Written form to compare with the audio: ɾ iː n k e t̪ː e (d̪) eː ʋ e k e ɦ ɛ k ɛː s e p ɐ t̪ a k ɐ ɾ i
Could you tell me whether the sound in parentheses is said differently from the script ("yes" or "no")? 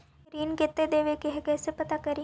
no